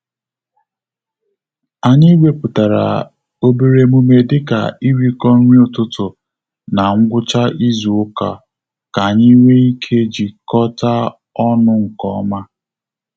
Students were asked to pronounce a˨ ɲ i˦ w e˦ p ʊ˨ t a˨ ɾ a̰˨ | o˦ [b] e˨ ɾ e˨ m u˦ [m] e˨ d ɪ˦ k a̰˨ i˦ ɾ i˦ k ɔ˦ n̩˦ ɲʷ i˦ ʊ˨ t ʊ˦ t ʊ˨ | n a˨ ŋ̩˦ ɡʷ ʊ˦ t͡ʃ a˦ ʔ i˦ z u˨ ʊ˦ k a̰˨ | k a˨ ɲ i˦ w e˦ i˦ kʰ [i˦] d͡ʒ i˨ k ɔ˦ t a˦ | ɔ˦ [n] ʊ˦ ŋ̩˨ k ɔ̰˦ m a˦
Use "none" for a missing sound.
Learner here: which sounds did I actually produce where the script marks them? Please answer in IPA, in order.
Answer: b, m, e˦, n

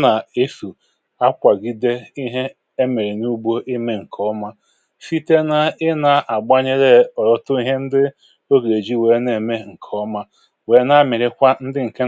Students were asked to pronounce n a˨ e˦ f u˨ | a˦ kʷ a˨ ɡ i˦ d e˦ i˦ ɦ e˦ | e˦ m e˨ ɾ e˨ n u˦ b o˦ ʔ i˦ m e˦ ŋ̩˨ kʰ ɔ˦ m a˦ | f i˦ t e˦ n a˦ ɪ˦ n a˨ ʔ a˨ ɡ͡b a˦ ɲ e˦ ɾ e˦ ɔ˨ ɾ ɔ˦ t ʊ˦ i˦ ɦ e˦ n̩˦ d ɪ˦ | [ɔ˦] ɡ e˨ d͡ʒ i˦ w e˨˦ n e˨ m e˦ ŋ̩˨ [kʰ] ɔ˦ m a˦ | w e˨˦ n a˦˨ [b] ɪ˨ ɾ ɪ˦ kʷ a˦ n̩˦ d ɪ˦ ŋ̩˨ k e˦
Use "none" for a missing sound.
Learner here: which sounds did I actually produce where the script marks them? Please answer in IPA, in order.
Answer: o˦, kʰ, m

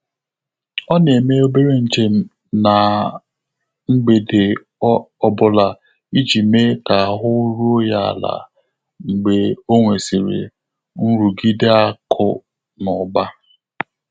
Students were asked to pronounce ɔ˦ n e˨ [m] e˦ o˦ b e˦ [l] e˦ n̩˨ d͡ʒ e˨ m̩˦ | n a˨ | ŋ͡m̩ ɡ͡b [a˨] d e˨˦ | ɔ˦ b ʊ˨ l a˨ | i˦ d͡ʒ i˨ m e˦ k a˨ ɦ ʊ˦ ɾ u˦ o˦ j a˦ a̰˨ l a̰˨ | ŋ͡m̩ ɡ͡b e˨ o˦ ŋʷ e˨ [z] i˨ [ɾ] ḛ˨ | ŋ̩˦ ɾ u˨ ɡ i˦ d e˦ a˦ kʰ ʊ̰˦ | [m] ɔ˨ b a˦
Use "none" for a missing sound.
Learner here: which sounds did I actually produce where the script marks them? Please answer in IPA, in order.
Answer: m, ɾ, e˨, s, ɾ, n

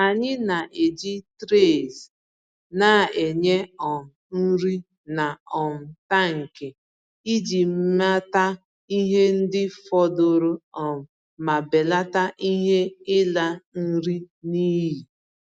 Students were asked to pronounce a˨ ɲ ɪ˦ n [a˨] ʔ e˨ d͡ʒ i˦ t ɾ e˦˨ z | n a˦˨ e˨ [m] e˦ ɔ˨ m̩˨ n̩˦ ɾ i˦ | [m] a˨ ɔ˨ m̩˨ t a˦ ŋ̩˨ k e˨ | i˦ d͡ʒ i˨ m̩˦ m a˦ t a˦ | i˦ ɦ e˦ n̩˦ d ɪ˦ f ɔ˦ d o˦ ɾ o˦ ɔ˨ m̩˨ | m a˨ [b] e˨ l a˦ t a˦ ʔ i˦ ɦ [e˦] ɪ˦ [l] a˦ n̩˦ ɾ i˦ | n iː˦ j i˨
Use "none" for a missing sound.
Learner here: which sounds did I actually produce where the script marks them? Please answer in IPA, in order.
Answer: a˨, ɲ, n, b, e˦, l

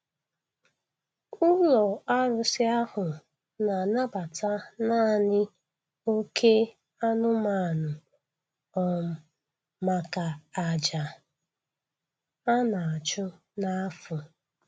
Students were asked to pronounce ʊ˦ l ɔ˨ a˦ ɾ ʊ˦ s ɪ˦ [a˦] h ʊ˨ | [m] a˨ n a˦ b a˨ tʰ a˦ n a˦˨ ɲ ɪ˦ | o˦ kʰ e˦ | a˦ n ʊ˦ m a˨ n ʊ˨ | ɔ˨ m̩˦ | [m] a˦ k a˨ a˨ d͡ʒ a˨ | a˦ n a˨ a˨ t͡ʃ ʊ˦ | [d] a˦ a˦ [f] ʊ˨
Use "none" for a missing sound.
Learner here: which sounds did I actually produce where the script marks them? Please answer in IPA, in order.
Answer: a˦, n, m, n, f

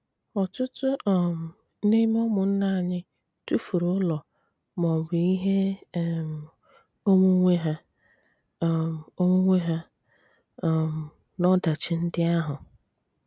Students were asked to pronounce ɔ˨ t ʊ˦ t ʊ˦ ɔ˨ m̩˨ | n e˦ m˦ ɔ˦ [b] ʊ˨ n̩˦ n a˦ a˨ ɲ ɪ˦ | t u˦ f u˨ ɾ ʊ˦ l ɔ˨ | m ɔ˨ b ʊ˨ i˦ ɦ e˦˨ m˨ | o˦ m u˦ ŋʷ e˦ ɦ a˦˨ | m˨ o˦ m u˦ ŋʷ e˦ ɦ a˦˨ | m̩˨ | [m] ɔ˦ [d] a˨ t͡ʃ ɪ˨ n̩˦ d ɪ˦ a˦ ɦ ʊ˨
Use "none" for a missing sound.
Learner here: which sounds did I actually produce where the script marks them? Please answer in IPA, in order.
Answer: m, n, d

